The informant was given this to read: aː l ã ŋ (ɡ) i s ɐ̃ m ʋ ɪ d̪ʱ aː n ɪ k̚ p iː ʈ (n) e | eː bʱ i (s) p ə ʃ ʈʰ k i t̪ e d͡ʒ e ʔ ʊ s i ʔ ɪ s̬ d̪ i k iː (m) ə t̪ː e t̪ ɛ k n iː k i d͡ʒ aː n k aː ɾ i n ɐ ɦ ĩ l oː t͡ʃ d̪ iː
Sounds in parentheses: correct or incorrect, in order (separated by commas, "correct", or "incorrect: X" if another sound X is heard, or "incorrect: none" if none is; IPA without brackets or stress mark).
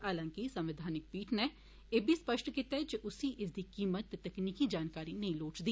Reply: incorrect: k, correct, correct, correct